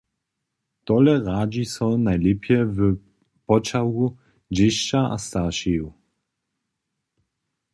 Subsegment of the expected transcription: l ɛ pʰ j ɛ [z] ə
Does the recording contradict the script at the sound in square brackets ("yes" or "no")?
yes